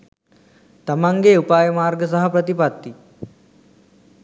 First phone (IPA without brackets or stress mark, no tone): t̪